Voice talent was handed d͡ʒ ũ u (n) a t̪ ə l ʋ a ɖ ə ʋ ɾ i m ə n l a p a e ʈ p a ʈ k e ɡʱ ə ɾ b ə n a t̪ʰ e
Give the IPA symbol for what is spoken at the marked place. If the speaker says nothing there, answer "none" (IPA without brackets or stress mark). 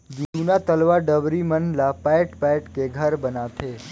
n